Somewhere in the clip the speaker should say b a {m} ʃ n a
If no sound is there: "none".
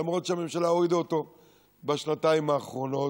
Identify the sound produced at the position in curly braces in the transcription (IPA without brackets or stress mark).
none